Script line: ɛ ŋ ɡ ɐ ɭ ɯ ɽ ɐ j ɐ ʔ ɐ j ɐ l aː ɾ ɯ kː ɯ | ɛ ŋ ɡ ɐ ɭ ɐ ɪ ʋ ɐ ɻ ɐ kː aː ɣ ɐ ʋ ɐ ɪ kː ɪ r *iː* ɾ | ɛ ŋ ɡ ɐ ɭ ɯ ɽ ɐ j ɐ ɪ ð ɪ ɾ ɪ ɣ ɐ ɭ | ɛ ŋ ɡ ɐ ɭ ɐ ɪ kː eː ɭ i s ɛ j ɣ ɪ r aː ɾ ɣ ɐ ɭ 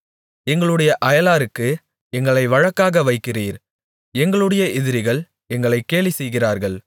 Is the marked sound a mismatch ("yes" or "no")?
no